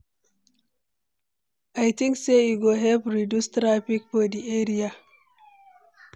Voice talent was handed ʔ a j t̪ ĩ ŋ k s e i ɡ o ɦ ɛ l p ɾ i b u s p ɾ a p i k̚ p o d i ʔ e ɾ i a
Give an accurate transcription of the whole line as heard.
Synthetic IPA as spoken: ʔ a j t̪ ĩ ŋ k s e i ɡ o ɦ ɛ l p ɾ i d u s t ɾ a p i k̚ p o d i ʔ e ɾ i a